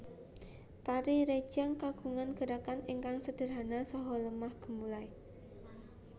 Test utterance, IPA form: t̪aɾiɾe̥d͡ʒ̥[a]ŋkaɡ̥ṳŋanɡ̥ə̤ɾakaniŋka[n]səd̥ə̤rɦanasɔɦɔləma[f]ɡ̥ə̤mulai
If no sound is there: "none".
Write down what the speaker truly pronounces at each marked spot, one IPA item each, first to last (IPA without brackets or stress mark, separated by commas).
a, ŋ, h